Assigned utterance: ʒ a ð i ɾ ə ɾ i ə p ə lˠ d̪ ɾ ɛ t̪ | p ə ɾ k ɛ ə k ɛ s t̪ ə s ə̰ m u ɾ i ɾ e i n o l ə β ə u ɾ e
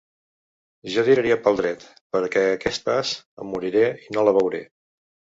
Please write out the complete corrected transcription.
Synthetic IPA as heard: ʒ a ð i ɾ ə ɾ i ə p ə lˠ d̪ ɾ ɛ t̪ | p ə ɾ k ɛ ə k ɛ s t̪ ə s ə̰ m u ɾ i ɾ e i n o l ə β ə w ɾ e